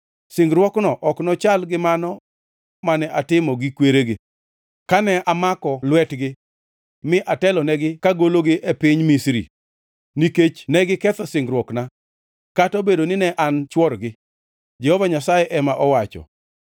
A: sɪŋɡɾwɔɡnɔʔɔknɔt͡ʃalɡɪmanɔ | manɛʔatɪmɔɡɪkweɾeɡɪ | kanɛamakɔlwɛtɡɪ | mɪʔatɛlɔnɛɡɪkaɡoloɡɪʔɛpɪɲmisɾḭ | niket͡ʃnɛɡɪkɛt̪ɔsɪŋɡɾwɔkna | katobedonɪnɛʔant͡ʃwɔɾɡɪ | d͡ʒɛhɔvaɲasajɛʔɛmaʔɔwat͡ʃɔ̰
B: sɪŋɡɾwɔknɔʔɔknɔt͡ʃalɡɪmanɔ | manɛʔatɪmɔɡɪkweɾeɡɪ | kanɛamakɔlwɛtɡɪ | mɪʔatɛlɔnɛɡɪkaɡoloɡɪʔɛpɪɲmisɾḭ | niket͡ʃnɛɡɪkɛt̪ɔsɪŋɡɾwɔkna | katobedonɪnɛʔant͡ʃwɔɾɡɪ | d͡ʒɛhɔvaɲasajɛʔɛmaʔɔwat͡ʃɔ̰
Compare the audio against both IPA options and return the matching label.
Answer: B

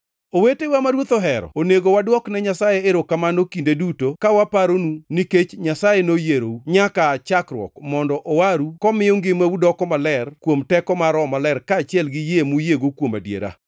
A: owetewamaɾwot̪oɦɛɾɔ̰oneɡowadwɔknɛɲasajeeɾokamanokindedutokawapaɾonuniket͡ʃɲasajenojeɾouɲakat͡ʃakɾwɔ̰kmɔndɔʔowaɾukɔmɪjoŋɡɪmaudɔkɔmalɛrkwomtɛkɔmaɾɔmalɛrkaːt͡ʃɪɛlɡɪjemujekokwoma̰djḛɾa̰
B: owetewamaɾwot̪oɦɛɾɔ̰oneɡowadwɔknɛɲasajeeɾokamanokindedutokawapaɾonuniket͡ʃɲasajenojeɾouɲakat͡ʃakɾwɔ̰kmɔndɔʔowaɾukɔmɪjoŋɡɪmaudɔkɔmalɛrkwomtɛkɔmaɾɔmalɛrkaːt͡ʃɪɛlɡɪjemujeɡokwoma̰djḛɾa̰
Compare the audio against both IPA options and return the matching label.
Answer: B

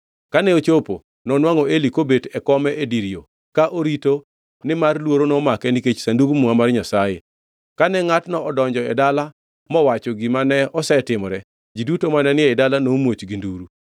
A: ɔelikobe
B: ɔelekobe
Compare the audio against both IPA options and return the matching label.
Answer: A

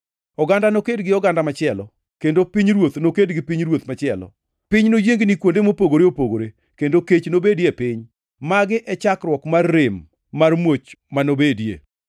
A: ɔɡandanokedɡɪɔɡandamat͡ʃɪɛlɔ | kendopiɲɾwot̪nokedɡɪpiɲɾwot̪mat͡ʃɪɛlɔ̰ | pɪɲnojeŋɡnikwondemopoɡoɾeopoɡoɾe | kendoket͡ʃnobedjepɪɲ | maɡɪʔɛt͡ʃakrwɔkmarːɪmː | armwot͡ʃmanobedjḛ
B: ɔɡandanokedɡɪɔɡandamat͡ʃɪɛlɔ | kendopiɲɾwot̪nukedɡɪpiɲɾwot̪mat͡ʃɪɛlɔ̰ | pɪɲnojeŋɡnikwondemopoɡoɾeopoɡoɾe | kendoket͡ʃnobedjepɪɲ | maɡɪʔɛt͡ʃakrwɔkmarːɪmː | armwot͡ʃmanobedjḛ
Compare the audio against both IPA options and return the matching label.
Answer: A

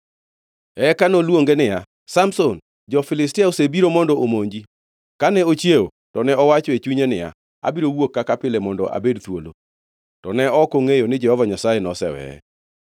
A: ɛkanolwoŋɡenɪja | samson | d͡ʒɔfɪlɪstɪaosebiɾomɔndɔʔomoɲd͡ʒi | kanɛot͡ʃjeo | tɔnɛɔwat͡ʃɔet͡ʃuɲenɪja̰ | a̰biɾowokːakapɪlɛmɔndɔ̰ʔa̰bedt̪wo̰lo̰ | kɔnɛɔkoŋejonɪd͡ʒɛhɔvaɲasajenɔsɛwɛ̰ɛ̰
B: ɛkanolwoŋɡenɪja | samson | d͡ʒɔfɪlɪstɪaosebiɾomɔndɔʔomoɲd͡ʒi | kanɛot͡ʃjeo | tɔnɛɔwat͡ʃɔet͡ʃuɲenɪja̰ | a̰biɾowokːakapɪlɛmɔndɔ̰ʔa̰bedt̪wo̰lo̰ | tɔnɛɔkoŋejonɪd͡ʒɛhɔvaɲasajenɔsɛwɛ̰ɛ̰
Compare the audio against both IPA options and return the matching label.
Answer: B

